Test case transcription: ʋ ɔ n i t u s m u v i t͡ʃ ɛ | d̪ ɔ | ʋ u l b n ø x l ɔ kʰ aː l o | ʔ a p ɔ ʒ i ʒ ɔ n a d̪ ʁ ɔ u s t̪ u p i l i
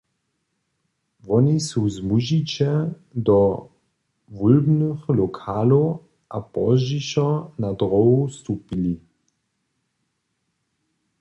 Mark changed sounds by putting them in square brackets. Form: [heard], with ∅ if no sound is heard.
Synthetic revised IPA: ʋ ɔ n i [s] u [z] m u [ʒ] i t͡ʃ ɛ | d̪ ɔ | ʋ u l b n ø x l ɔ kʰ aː l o | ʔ a p ɔ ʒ i [ʃ] ɔ n a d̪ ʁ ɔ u s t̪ u p i l i